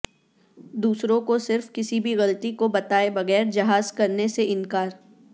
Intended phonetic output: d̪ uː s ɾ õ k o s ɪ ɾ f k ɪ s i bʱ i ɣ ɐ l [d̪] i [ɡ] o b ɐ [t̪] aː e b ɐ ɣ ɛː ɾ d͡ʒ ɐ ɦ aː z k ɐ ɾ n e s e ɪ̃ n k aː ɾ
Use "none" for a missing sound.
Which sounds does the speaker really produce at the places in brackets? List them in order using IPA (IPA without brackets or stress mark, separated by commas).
t̪, k, t̪